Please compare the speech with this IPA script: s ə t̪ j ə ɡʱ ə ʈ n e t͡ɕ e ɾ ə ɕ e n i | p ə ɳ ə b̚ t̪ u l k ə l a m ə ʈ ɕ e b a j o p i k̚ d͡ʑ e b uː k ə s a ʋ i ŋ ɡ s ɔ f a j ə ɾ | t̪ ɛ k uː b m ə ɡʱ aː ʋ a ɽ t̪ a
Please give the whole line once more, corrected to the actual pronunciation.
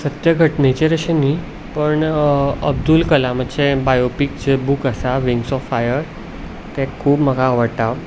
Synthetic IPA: s ə t̪ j ə ɡʱ ə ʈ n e t͡ɕ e ɾ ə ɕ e n i | p ə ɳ ə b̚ d̪ u l k ə l a m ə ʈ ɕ e b a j o p i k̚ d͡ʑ e b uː k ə s a ʋ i ŋ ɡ s ɔ f a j ə ɾ | t̪ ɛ kʰ uː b m ə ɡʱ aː ʋ ə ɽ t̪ a